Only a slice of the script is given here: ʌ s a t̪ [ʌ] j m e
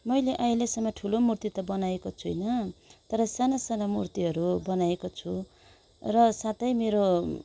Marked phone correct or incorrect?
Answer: correct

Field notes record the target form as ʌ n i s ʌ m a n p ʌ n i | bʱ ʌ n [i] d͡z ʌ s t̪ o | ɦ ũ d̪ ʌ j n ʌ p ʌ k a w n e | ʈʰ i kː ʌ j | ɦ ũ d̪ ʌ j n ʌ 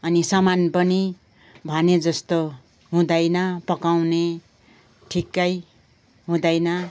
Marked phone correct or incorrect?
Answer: incorrect: e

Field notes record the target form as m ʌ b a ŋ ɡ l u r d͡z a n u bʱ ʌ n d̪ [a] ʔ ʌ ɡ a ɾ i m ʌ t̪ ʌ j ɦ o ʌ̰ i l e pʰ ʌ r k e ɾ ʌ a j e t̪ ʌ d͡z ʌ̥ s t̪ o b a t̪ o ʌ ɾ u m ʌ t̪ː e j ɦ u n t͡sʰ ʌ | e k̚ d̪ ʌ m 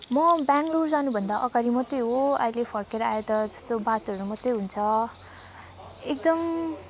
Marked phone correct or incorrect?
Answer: correct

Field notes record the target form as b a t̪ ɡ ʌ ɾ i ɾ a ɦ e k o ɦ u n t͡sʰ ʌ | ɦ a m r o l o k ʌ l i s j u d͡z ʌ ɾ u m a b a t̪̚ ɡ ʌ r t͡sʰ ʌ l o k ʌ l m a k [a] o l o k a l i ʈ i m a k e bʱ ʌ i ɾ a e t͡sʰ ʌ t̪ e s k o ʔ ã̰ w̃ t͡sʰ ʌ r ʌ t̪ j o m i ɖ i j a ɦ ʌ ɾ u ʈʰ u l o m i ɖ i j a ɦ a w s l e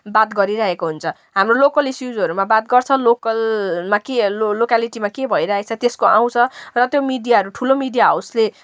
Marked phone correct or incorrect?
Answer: incorrect: e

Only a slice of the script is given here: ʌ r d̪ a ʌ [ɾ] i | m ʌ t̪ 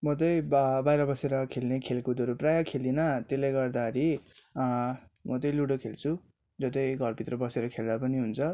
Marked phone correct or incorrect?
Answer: correct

